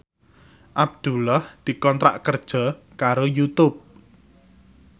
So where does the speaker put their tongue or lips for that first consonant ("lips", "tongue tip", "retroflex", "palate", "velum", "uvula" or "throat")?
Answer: throat